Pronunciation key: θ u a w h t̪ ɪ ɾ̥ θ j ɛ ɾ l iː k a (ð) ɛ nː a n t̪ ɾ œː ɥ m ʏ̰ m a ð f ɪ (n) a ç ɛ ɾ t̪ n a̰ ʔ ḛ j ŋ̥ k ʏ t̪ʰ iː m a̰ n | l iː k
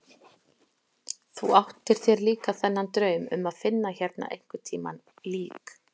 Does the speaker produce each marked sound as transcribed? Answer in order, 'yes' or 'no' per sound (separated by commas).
no, no